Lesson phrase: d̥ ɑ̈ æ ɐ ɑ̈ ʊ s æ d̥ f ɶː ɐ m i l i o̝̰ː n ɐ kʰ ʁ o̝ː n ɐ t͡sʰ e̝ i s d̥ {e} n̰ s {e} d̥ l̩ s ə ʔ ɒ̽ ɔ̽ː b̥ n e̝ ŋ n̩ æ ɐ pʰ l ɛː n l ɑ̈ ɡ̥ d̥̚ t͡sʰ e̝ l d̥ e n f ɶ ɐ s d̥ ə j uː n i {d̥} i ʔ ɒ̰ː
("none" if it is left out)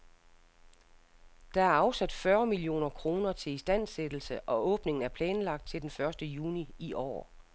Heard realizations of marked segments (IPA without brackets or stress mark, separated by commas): æ, e, none